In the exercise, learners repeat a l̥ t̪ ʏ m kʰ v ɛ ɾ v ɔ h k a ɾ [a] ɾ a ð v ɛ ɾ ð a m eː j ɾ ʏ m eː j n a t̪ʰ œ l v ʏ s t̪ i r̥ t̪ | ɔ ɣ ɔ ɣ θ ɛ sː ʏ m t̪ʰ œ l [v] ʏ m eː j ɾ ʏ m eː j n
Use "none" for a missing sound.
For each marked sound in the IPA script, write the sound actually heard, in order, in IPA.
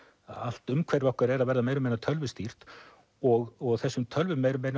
ɛ, v

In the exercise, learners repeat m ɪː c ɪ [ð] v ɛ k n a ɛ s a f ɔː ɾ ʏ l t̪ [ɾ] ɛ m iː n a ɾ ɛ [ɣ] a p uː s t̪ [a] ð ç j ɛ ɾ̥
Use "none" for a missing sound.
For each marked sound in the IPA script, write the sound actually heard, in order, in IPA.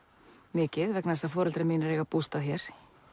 ð, ɾ, ɣ, a

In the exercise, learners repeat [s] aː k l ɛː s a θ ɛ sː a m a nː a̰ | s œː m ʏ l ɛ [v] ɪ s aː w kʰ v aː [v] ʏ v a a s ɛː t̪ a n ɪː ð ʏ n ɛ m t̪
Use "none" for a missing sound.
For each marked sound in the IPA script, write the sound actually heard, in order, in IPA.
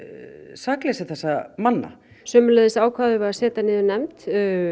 s, ð, ð

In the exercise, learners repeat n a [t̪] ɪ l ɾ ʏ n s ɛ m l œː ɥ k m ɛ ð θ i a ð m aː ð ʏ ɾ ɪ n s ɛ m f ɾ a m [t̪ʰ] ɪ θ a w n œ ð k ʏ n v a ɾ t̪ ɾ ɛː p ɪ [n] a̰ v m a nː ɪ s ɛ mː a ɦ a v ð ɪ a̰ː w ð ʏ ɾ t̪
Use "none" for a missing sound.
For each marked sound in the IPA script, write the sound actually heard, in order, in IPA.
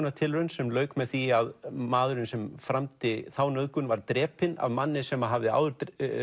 t̪ʰ, t̪, n

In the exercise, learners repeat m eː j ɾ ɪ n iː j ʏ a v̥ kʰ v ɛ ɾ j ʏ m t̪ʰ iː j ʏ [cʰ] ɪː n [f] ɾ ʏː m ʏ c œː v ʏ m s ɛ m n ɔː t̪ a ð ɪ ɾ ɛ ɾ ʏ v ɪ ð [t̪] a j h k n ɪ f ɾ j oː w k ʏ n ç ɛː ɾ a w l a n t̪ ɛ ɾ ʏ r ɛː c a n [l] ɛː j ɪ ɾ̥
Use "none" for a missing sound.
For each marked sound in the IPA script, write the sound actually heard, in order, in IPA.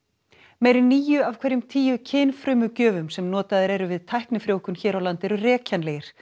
cʰ, f, t̪ʰ, l

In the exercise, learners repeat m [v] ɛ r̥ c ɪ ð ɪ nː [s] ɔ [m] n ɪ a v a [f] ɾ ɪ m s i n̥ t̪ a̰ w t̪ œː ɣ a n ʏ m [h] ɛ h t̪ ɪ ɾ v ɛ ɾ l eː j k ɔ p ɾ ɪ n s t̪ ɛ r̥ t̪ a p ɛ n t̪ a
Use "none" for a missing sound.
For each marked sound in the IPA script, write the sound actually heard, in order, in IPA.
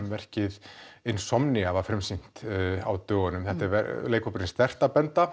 v, s, m, f, θ

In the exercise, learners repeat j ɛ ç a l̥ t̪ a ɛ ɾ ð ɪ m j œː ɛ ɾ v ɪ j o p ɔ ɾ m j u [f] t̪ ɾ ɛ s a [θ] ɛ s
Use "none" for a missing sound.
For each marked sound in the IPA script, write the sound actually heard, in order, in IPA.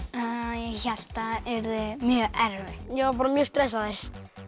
s, ð

